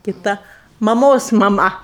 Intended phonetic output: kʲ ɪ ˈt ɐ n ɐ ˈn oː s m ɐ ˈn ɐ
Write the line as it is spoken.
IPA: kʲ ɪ ˈt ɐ m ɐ ˈm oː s m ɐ ˈm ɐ